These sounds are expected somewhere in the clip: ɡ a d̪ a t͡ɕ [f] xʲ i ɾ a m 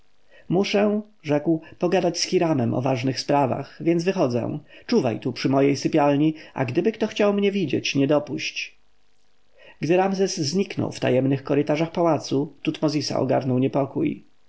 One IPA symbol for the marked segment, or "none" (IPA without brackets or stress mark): s